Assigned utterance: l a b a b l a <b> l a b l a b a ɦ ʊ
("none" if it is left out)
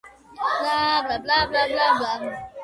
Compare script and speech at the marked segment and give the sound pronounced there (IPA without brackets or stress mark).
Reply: b